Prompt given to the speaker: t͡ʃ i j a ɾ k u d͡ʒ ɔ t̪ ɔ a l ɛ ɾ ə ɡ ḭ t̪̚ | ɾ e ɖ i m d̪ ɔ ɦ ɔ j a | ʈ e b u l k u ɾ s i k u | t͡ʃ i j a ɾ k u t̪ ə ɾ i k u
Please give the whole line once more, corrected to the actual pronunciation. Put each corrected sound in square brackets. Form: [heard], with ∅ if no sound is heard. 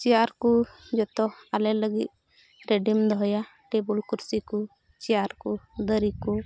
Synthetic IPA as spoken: t͡ʃ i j a ɾ k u d͡ʒ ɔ t̪ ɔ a l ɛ [l] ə ɡ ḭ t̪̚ | ɾ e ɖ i m d̪ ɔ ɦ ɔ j a | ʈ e b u l k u ɾ s i k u | t͡ʃ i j a ɾ k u [d̪] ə ɾ i k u